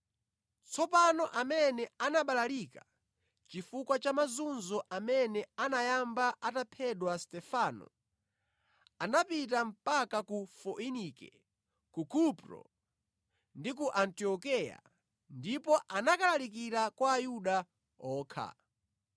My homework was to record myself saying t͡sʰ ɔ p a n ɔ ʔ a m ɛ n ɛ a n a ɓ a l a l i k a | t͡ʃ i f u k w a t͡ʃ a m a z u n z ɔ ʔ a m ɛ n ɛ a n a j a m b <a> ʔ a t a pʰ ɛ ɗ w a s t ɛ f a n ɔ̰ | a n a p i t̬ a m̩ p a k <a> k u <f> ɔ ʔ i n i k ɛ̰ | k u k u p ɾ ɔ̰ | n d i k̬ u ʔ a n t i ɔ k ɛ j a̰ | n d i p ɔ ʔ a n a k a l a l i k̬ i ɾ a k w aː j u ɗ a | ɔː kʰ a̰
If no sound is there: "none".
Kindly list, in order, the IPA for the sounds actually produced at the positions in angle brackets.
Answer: a, a, f

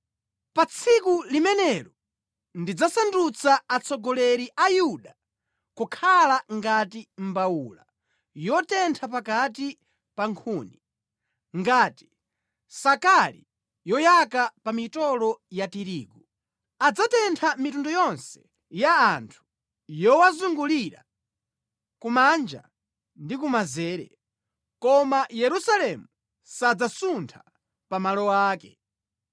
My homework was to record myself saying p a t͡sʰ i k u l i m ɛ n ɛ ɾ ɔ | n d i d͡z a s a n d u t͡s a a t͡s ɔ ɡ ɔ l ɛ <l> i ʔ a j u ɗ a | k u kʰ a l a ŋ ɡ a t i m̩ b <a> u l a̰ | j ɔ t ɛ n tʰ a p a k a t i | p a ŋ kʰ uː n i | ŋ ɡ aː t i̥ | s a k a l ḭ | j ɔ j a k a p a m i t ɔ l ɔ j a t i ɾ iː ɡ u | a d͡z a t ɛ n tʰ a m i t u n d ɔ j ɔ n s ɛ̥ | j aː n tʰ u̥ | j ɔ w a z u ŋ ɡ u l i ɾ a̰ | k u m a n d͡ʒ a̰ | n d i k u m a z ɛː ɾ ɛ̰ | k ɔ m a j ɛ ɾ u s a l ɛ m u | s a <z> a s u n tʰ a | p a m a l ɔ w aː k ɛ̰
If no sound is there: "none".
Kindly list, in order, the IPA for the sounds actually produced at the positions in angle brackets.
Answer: ɾ, a, d͡z

